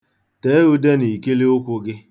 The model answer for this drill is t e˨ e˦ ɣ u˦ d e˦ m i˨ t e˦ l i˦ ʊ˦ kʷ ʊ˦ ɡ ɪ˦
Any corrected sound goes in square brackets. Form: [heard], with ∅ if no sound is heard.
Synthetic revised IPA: t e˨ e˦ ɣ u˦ d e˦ [n] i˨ [k] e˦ l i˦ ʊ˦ kʷ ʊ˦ ɡ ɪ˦